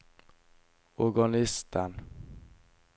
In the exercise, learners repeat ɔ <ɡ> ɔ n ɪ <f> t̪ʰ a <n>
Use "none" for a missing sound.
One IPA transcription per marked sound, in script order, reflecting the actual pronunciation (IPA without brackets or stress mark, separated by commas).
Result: ɡ, s, n